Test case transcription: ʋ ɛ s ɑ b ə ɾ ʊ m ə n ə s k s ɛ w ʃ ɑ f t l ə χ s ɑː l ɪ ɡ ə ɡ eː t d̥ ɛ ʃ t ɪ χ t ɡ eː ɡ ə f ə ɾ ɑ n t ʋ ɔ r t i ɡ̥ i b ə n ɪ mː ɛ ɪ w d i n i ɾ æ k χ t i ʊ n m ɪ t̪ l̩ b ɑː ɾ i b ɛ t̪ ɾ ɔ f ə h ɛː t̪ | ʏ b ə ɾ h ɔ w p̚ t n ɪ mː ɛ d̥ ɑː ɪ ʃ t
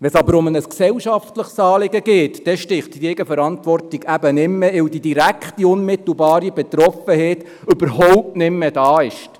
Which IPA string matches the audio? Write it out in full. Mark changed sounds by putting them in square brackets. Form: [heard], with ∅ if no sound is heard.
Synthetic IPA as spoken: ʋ ɛ s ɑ b ə ɾ ʊ m ə n ə s k s ɛ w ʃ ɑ f t l ə χ s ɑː l ɪ ɡ ə ɡ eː t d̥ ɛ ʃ t ɪ χ t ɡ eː ɡ ə f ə ɾ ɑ n t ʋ ɔ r t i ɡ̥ [æ] b ə n ɪ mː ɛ ɪ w d i [d] i ɾ æ k χ t i ʊ n m ɪ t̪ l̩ b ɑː ɾ i b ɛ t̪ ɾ ɔ f ə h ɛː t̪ | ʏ b ə ɾ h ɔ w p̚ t n ɪ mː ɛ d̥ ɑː ɪ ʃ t